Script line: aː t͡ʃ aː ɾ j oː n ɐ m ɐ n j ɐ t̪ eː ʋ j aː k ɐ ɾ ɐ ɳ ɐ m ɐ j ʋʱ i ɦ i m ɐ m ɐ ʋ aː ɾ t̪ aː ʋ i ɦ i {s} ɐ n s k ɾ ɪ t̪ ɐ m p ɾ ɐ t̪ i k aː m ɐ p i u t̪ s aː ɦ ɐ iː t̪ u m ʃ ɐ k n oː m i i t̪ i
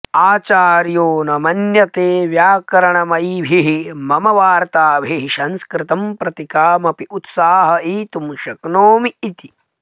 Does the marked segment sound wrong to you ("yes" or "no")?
yes